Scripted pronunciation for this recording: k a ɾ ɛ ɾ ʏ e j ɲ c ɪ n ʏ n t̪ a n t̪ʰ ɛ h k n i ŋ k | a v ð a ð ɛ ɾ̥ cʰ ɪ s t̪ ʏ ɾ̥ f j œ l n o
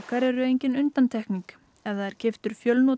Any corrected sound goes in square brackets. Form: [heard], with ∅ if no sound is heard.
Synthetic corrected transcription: k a ɾ ɛ ɾ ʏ e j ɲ c ɪ n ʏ n t̪ a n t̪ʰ ɛ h k n i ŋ k | [ɛ] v ð a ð ɛ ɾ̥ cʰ ɪ [f] t̪ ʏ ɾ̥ f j œ l n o

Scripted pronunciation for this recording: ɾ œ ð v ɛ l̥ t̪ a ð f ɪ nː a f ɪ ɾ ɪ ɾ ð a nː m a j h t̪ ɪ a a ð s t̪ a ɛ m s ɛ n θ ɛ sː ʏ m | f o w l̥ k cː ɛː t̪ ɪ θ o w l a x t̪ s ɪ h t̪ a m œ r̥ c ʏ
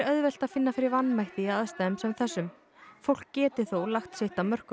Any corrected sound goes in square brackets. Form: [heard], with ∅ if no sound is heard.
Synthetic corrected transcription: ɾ œ ð v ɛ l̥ t̪ a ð f ɪ nː a f ɪ ɾ ɪ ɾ [v] a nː m a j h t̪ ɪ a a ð s t̪ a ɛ m s ɛ [m] θ ɛ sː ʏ m | f o w l̥ k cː ɛː t̪ ɪ θ o w l a x t̪ s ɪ h t̪ a m œ r̥ [k] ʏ

